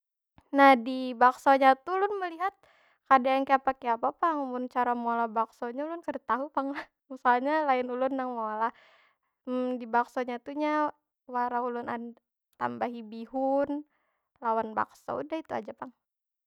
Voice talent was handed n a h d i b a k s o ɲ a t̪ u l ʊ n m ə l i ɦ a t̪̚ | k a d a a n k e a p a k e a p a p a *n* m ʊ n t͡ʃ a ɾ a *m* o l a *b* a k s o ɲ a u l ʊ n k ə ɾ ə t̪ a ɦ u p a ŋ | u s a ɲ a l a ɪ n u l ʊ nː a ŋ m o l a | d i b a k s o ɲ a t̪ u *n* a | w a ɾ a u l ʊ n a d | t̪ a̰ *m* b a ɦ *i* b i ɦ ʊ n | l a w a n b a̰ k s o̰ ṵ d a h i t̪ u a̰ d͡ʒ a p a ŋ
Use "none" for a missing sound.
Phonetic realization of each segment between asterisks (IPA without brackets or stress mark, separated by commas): ŋ, m, b, ɲ, m, i